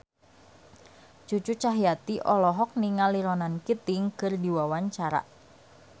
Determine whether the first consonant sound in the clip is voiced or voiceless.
voiceless